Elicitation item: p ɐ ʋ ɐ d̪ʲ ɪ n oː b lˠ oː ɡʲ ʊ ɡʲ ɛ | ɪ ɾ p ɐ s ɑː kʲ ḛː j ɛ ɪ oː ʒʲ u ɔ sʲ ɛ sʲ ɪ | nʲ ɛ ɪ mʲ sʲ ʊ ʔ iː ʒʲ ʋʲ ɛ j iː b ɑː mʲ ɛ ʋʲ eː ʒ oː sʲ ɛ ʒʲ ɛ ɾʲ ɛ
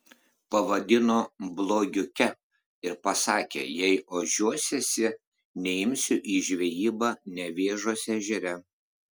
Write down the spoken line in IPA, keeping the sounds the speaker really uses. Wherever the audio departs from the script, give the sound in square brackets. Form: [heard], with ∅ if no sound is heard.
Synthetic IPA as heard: p ɐ ʋ ɐ d̪ʲ ɪ n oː b lˠ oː ɡʲ ʊ [kʲ] ɛ | ɪ ɾ p ɐ s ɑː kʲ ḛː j ɛ ɪ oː ʒʲ u ɔ sʲ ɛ sʲ ɪ | nʲ ɛ ɪ mʲ sʲ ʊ ʔ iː ʒʲ ʋʲ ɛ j iː b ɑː [nʲ] ɛ ʋʲ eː ʒ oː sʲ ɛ ʒʲ ɛ ɾʲ ɛ